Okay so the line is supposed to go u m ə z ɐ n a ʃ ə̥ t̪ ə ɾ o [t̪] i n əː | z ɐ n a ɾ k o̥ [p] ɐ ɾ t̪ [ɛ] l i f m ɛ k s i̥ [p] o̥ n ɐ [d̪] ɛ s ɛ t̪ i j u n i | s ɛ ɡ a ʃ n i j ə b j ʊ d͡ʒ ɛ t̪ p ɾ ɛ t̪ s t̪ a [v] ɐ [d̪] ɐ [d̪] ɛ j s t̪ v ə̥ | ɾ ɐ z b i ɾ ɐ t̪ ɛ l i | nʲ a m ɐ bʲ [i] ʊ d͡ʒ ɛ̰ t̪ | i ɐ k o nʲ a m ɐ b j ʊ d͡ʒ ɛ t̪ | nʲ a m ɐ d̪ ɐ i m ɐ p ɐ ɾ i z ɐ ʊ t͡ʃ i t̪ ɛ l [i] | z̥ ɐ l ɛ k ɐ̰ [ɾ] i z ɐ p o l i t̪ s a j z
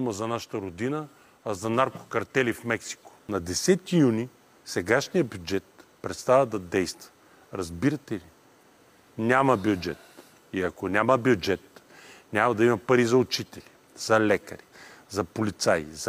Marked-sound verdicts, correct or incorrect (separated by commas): incorrect, incorrect, correct, incorrect, correct, correct, correct, correct, incorrect, correct, correct